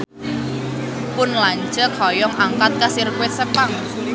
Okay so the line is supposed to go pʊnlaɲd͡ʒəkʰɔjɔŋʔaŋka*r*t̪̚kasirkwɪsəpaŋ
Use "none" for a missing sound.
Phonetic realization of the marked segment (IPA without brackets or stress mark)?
none